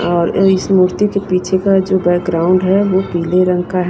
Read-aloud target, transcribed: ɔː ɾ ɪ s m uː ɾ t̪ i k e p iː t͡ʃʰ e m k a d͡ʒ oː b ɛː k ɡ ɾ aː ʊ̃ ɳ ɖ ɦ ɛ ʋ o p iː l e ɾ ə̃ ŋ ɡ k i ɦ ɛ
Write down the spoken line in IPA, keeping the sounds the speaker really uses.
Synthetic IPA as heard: ɔː ɾ ɪ s m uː ɾ t̪ i k e p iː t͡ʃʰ e k a d͡ʒ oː b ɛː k ɡ ɾ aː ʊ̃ ɳ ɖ ɦ ɛ ʋ o p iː l e ɾ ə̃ ŋ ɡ k a ɦ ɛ